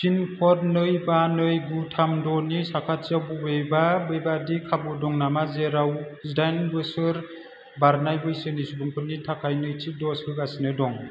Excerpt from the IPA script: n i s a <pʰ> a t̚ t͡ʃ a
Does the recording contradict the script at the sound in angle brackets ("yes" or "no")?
yes